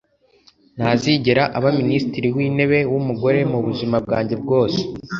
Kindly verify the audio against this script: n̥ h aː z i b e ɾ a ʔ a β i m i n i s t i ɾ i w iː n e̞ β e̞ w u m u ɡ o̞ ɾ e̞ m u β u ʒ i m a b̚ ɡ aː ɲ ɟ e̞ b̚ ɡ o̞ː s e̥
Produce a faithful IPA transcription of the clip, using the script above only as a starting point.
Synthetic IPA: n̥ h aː z i ɟ e ɾ a ʔ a β a m i n i s t i ɾ i w iː n e̞ β e̞ w u m u ɡ o̞ ɾ e̞ m u β u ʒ i m a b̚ ɡ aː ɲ ɟ e̞ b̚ ɡ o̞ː s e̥